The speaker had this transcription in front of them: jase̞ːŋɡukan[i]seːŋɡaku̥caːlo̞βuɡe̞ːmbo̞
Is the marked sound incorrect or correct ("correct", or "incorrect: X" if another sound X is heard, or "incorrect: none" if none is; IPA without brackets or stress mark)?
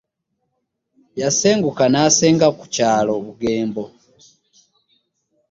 incorrect: a